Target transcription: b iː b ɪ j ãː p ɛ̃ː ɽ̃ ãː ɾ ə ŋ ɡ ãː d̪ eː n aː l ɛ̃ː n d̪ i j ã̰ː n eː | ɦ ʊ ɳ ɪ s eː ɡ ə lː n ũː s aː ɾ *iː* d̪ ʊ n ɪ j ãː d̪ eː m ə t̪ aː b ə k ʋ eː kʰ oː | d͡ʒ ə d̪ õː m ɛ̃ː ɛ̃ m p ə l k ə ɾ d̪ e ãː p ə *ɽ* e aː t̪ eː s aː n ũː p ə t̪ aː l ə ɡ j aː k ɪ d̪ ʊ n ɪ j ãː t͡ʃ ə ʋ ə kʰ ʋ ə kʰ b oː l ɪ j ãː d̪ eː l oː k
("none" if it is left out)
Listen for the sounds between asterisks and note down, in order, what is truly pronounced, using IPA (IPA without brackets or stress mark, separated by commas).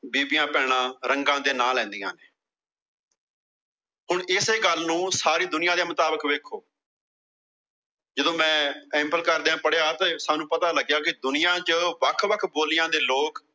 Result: iː, ɽ